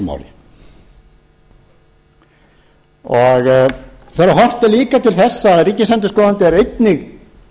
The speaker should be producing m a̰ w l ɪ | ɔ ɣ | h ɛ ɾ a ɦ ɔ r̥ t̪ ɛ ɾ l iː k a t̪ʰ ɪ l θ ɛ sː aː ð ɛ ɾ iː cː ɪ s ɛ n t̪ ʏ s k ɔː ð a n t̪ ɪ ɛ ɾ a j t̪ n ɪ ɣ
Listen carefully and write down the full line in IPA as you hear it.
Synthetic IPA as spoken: m a̰ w l ɪ | ɔ ɣ | θ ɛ ɾ a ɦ ɔ r̥ t̪ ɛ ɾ l iː k a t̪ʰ ɪ l θ ɛ sː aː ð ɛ ɾ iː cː ɪ s ɛ n t̪ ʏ s k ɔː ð a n t̪ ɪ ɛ ɾ e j t̪ n ɪ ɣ